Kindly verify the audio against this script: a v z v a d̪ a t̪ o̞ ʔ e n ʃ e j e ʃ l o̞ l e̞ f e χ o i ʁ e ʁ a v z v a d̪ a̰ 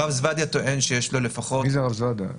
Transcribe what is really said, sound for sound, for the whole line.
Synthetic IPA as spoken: a v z v a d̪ a t̪ o̞ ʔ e n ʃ e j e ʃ l o̞ l e̞ f a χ o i z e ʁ a v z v a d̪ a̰